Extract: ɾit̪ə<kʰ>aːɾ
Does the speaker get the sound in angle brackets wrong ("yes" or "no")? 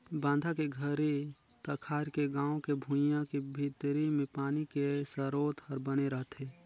no